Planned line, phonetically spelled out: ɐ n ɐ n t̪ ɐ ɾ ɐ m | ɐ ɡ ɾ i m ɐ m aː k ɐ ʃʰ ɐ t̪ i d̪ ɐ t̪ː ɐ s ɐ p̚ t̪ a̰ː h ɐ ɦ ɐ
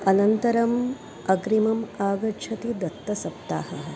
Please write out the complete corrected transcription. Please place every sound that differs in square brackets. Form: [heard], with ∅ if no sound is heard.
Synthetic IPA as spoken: ɐ n ɐ n t̪ ɐ ɾ ɐ m | ɐ ɡ ɾ i m ɐ m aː [ɡ] ɐ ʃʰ ɐ t̪ i d̪ ɐ t̪ː ɐ s ɐ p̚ t̪ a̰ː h ɐ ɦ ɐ